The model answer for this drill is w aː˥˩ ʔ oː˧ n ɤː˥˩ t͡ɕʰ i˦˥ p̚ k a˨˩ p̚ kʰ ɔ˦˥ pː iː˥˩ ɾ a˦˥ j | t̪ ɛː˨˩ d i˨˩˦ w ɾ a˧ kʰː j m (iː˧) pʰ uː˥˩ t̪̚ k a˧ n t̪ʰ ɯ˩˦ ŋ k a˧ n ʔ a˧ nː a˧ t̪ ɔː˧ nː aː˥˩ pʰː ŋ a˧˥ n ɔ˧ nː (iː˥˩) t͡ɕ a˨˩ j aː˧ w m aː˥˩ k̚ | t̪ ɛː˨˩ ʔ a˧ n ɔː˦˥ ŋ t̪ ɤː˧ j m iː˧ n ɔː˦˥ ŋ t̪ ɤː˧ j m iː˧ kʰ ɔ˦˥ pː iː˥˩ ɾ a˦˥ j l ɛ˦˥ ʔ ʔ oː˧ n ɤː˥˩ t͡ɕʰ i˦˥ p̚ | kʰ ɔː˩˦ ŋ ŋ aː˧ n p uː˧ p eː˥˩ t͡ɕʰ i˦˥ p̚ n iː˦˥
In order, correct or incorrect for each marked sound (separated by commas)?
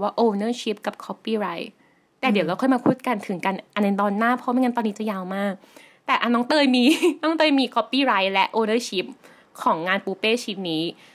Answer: incorrect, incorrect